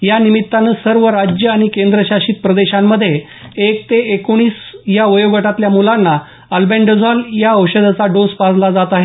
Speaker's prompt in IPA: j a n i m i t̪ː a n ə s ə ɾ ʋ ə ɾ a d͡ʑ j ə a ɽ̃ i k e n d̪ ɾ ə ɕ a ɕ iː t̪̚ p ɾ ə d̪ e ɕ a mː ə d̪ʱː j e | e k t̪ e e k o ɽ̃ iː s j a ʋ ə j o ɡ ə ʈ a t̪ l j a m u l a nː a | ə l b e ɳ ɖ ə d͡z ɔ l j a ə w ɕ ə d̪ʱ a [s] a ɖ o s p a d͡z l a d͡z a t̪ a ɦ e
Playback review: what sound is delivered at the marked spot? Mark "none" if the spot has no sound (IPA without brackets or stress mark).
t͡s